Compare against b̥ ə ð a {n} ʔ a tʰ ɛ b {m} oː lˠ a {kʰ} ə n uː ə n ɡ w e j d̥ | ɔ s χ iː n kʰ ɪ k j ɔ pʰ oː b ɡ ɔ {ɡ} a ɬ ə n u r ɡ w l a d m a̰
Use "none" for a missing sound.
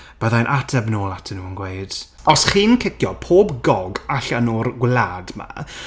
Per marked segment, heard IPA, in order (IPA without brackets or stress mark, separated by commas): n, n, tʰ, ɡ